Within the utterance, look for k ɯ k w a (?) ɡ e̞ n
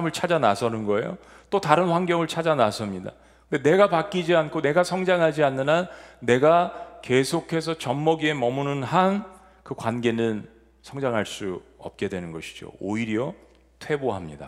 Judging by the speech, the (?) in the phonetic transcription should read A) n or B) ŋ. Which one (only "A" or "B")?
A